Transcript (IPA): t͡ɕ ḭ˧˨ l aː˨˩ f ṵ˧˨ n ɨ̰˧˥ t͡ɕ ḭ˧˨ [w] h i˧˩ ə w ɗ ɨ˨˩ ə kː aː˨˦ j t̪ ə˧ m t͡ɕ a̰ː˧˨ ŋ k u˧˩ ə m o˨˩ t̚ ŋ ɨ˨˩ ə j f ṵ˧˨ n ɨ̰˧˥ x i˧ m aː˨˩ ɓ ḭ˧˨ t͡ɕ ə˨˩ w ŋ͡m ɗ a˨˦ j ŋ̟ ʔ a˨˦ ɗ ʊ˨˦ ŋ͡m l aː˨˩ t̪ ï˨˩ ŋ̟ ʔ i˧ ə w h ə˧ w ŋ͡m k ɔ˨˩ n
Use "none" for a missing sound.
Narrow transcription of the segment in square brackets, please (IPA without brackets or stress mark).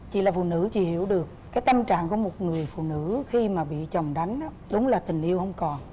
none